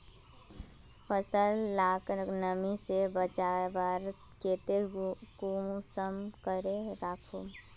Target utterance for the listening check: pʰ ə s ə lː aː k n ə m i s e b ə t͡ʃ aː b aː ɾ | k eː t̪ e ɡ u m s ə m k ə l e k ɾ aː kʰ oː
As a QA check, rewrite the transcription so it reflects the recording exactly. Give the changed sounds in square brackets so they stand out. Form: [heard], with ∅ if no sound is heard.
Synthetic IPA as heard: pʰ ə s ə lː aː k n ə m i s e b ə t͡ʃ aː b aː ɾ | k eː t̪ e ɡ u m s ə m k ə [ɾ] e [∅] ɾ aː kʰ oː